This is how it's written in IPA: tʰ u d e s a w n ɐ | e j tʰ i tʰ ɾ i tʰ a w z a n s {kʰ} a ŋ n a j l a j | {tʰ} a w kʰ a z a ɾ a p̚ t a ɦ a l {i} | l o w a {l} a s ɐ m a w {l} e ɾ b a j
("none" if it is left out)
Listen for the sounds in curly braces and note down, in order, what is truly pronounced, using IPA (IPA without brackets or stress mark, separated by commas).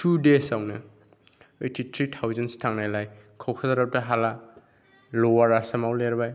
tʰ, kʰ, a, ɾ, l